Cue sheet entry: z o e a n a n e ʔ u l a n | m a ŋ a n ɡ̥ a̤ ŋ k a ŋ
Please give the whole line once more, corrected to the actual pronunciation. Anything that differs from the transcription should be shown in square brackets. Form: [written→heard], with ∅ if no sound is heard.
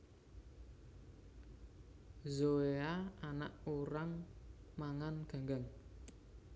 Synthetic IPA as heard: z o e a [n→∅] a n [e→a] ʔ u [l→ɾ] a [n→ŋ] | m a ŋ a n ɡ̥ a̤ ŋ [k→ɡ] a ŋ